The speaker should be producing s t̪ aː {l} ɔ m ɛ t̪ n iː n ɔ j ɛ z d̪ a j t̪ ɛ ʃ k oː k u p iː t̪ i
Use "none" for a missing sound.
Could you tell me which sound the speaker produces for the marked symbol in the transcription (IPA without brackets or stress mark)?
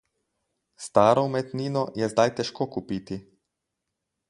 ɾ